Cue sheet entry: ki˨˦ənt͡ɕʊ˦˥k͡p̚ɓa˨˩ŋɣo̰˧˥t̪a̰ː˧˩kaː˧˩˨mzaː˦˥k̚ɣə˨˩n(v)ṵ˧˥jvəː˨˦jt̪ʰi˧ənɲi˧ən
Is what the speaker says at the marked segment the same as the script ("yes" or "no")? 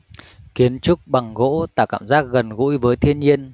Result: no